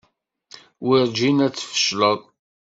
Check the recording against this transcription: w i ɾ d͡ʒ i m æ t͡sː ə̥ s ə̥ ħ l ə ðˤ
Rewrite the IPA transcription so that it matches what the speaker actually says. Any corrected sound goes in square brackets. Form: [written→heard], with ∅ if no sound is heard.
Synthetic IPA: w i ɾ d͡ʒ i [m→n] æ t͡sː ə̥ [s→f] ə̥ [ħ→ʃ] l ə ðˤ